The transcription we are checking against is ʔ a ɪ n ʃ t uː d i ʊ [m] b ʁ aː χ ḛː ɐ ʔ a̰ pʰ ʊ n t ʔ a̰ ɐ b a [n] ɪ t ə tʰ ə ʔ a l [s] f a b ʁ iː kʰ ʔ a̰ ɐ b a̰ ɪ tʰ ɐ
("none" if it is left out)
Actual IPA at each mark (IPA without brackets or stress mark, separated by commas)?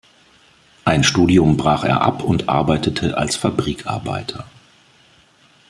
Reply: m, none, s